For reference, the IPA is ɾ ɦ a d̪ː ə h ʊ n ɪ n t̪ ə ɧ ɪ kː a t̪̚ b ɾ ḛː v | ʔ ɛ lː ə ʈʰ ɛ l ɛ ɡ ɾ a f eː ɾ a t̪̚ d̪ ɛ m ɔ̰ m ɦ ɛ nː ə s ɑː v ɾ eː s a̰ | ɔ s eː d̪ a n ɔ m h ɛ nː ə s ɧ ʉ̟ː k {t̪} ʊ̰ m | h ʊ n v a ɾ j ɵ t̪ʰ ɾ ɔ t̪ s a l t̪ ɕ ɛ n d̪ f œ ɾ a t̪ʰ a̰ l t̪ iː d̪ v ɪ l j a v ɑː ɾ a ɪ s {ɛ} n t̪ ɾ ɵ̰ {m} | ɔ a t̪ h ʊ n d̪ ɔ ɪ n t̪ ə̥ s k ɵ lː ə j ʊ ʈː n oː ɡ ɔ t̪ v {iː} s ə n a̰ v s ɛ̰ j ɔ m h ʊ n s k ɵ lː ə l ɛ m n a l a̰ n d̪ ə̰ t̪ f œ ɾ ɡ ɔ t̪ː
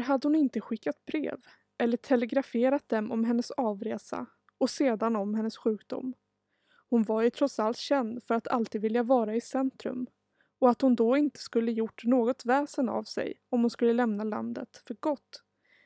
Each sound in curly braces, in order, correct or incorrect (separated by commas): incorrect, correct, correct, incorrect